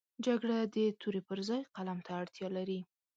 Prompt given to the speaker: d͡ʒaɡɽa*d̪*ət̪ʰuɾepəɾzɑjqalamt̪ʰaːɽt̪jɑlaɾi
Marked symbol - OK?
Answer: yes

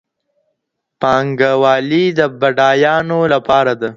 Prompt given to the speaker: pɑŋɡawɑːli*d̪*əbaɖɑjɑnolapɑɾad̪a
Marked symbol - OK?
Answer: yes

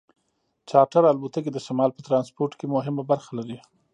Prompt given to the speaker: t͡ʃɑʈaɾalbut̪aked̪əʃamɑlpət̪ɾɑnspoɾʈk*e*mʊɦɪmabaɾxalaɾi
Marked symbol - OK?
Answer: yes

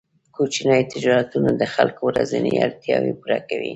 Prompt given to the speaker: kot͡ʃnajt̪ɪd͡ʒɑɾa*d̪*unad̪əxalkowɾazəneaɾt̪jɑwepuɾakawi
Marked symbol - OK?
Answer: no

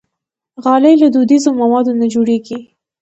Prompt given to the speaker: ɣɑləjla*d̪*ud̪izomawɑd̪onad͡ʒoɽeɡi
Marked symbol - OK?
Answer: yes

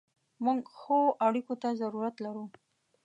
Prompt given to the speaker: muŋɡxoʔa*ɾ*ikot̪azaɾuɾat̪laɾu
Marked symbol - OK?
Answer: no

